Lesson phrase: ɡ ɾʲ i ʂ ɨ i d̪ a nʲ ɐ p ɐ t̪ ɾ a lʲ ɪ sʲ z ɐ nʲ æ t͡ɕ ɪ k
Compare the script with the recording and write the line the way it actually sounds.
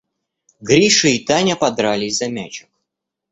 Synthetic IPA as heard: ɡ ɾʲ i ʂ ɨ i t̪ a nʲ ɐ p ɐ d̪ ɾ a lʲ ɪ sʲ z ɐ mʲ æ t͡ɕ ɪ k

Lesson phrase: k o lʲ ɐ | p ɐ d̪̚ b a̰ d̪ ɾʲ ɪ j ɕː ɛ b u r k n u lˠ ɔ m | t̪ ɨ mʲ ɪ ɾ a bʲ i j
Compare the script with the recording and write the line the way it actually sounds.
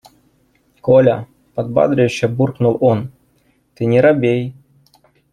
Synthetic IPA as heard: k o lʲ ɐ | p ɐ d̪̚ b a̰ d̪ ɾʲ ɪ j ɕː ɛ b u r k n u lˠ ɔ n | t̪ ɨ nʲ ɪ ɾ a bʲ e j

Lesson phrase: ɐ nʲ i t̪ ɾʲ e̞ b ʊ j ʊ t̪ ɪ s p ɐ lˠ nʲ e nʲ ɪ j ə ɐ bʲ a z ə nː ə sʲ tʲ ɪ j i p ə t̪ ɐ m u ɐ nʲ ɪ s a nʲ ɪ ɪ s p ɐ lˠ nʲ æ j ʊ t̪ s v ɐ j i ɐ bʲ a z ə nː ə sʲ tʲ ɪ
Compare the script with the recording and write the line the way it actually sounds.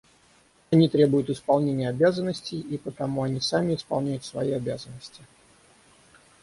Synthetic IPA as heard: ɐ nʲ i t̪ ɾʲ e̞ b ʊ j ʊ t̪ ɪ s p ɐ lˠ nʲ e nʲ ɪ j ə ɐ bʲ a z ə nː ə sʲ tʲ ɪ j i p ə t̪ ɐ m u ɐ nʲ i s a mʲ ɪ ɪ s p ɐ lˠ nʲ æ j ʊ t̪ s v ɐ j i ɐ bʲ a z ə nː ə sʲ tʲ ɪ

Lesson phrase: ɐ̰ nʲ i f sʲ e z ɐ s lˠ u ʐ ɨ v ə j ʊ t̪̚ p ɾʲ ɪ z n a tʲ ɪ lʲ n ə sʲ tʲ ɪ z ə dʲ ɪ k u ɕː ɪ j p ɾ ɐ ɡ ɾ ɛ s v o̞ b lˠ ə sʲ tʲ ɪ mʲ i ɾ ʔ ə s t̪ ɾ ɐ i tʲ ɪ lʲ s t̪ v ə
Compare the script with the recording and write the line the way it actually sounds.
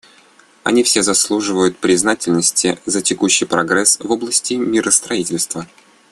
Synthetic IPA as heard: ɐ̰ nʲ i f sʲ e z ɐ s lˠ u ʐ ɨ v ə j ʊ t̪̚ p ɾʲ ɪ z n a tʲ ɪ lʲ n ə sʲ tʲ ɪ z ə tʲ ɪ k u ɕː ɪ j p ɾ ɐ ɡ ɾ ɛ s v o̞ b lˠ ə sʲ tʲ ɪ mʲ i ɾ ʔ ə s t̪ ɾ ɐ i tʲ ɪ lʲ s t̪ v ə

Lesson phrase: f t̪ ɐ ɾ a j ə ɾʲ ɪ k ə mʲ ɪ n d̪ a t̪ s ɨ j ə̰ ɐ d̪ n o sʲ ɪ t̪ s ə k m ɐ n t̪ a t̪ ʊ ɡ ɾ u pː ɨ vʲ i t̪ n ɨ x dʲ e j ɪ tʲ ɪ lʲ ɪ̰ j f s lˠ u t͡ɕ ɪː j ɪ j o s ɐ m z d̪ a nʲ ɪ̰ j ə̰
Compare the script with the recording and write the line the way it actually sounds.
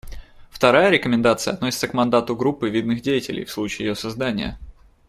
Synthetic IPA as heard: f t̪ ɐ ɾ a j ə ɾʲ ɪ k ə mʲ ɪ n d̪ a t̪ s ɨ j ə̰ ɐ t̪ n o sʲ ɪ t̪ s ə k m ɐ n d̪ a t̪ ʊ ɡ ɾ u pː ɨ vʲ i d̪ n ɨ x dʲ e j ɪ tʲ ɪ lʲ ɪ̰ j f s lˠ u t͡ɕ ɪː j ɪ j o s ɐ z d̪ a nʲ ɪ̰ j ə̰

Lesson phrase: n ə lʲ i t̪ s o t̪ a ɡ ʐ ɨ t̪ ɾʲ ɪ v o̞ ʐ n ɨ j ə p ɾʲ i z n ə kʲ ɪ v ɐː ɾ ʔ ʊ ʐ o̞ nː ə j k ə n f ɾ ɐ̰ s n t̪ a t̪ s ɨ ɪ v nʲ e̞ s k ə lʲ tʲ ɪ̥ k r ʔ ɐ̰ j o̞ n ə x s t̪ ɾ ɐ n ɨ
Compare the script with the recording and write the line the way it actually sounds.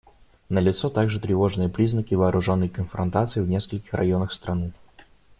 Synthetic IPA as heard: n ə lʲ ɪ t̪ s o t̪ a ɡ ʐ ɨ t̪ ɾʲ ɪ v o̞ ʐ n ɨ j ə p ɾʲ i z n ə kʲ ɪ v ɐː ɾ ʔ ʊ ʐ o̞ nː ə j k ə n f ɾ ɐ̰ n t̪ a t̪ s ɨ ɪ v nʲ e̞ s k ə lʲ kʲ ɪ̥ x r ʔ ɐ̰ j o̞ n ə x s t̪ ɾ ɐ n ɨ

